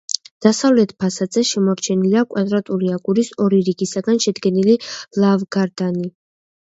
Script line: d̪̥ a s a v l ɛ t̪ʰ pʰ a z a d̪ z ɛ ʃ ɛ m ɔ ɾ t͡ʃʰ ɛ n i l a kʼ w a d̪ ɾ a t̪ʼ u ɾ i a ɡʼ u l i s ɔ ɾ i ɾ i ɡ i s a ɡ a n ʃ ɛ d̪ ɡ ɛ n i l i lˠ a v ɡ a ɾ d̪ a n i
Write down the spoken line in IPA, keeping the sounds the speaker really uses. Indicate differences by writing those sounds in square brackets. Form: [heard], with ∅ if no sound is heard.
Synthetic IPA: d̪̥ a s a v l ɛ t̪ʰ pʰ a [s] a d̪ z ɛ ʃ ɛ m ɔ ɾ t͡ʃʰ ɛ n i l a kʼ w a d̪ ɾ a t̪ʼ u ɾ i a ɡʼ u [ɾ] i s ɔ ɾ i ɾ i ɡ i s a ɡ a n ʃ ɛ d̪ ɡ ɛ n i l i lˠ a v ɡ a ɾ d̪ a n i